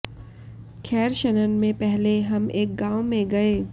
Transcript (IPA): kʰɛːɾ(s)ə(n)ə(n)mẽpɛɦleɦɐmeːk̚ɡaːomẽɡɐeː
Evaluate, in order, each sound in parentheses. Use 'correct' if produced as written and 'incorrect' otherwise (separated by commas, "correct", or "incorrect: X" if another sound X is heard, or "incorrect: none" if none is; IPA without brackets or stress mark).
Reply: incorrect: ʃ, correct, correct